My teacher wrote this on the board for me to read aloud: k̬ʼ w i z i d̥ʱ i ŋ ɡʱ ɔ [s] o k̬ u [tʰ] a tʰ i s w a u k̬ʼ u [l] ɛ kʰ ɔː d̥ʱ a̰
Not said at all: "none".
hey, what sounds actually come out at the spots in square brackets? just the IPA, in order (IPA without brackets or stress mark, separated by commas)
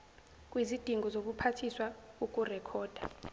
z, pʰ, r